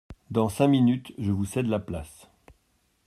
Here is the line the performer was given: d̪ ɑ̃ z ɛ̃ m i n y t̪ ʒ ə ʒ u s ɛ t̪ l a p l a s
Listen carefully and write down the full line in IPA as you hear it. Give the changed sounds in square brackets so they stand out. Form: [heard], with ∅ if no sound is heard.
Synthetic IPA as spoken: d̪ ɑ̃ [s] ɛ̃ m i n y t̪ ʒ ə [v] u s ɛ [d̪] l a p l a s